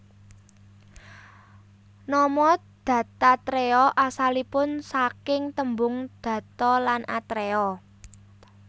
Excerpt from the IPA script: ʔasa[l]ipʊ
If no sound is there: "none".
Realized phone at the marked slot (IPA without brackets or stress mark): l